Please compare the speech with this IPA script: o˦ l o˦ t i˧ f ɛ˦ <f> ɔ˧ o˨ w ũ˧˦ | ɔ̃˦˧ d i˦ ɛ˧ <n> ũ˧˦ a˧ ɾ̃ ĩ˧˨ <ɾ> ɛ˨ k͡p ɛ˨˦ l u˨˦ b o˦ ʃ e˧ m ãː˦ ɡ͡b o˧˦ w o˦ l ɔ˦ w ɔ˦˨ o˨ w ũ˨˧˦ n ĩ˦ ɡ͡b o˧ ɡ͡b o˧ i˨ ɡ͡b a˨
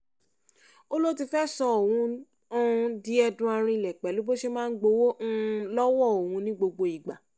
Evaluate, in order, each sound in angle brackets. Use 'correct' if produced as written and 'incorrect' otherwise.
incorrect: s, incorrect: d, incorrect: l

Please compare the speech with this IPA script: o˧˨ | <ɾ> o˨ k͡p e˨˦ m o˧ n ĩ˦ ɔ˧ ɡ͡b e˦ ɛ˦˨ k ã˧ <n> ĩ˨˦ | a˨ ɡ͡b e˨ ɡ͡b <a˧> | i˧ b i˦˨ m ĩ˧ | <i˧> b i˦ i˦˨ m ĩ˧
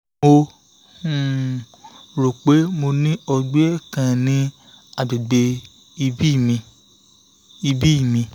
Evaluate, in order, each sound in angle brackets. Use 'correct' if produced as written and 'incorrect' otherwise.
correct, correct, incorrect: e˧, correct

